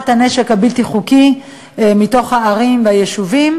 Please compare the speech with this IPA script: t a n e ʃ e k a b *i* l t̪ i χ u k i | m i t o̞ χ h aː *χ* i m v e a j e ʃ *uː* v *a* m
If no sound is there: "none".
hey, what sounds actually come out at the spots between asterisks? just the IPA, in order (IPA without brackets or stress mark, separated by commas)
i, ʁ, u, i